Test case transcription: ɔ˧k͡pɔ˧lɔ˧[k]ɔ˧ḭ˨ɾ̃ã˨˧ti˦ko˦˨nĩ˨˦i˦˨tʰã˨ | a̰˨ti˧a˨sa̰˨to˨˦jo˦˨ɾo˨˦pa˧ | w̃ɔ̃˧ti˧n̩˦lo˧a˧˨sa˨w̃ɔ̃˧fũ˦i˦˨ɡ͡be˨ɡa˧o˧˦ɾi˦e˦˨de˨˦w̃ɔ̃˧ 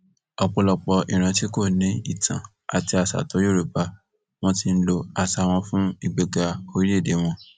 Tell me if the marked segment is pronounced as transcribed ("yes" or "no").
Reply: no